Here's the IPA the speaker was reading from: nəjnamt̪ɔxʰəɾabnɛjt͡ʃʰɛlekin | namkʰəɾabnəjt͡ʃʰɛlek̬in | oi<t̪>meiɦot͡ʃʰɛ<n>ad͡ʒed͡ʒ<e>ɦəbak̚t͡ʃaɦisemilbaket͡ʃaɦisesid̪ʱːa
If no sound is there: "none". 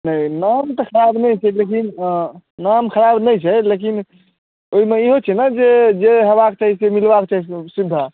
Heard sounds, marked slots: none, n, e

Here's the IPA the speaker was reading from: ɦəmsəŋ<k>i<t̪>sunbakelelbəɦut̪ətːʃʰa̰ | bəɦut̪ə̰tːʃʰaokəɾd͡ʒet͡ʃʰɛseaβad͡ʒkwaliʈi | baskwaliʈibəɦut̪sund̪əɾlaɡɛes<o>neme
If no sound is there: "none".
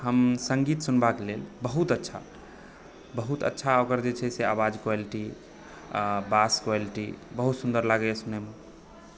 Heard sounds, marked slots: ɡ, t̪, u

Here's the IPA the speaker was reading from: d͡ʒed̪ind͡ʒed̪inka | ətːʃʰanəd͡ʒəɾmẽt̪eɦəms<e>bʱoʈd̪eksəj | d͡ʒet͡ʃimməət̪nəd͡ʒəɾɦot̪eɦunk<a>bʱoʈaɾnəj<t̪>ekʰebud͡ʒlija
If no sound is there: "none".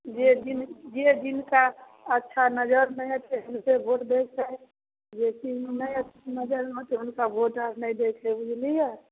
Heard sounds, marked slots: e, a, d̪

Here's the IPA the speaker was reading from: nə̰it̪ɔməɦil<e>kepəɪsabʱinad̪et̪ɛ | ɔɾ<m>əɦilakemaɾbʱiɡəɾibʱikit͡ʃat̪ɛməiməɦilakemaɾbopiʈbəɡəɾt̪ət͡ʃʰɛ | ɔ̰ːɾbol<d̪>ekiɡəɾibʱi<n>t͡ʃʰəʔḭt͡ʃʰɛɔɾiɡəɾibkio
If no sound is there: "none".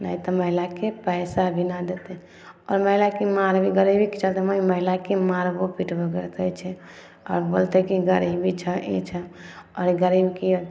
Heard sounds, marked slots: a, m, t̪, none

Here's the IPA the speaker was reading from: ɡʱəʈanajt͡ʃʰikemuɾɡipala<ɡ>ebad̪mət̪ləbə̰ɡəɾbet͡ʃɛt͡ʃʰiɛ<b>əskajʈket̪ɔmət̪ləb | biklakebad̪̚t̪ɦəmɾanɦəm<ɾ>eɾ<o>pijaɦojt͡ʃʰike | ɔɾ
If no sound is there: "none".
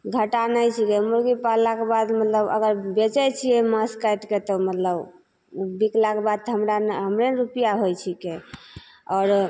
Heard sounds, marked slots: k, m, ɾ, u

